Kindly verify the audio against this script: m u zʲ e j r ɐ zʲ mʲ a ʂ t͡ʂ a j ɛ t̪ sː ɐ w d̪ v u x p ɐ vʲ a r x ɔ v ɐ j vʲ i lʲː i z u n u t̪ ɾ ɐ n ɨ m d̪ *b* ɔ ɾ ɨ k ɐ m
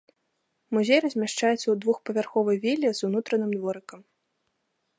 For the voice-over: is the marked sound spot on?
no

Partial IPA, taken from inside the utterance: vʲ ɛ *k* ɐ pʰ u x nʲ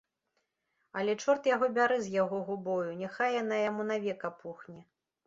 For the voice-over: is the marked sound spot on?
yes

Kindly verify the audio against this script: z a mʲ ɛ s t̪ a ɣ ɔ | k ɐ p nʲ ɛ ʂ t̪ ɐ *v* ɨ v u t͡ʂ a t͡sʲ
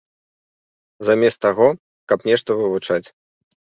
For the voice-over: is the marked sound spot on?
yes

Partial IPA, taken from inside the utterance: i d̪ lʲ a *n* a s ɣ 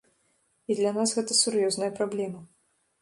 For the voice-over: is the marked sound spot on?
yes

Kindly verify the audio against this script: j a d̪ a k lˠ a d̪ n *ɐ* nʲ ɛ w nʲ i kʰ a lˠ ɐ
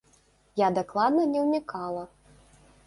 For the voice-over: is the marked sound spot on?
yes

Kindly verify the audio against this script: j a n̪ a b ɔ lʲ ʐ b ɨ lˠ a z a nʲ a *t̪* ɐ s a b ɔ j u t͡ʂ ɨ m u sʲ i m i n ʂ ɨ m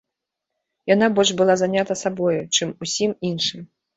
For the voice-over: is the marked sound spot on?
yes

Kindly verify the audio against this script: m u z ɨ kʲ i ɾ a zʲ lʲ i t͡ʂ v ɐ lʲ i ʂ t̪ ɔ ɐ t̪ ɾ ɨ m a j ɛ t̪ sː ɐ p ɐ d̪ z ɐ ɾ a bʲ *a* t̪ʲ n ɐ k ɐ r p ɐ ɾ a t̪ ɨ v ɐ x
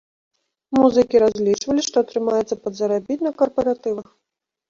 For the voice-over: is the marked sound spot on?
no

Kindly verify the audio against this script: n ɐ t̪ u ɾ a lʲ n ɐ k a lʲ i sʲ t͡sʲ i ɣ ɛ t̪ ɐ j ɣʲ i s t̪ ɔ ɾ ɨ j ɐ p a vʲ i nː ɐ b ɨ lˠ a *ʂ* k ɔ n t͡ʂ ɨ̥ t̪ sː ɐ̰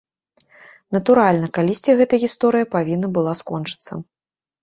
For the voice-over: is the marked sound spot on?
no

